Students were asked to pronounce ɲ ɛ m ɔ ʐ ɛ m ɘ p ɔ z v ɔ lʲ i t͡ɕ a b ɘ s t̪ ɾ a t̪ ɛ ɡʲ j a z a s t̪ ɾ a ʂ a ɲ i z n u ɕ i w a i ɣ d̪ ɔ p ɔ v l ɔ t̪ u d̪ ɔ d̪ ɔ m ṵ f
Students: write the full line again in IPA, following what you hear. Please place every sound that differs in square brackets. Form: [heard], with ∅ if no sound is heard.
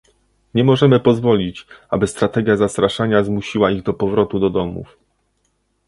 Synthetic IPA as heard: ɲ ɛ m ɔ ʐ ɛ m ɘ p ɔ z v ɔ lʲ i t͡ɕ a b ɘ s t̪ ɾ a t̪ ɛ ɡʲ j a z a s t̪ ɾ a ʂ a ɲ [a] z [m] u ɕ i w a i ɣ d̪ ɔ p ɔ v [ɾ] ɔ t̪ u d̪ ɔ d̪ ɔ m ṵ f